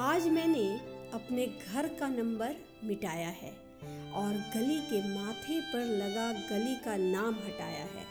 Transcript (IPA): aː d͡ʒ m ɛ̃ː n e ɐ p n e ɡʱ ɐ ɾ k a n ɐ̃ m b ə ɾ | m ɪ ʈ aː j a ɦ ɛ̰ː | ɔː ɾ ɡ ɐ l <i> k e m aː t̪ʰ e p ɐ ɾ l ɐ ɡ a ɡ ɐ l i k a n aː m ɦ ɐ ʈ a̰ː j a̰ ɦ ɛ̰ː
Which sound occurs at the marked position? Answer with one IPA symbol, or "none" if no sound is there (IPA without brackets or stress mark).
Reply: i